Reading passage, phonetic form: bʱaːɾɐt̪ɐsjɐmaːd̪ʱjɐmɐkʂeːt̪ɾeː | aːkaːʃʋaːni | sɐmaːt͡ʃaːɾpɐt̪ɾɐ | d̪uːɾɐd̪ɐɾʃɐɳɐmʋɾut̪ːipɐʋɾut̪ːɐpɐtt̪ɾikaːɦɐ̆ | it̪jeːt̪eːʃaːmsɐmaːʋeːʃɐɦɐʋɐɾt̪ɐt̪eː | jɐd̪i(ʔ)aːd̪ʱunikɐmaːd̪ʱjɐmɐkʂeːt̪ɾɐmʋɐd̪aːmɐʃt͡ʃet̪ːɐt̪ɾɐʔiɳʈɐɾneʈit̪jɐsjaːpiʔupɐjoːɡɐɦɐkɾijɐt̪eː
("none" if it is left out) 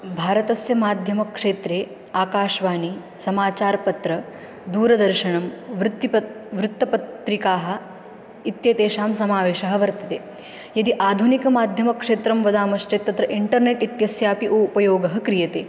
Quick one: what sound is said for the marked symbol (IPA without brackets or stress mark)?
ʔ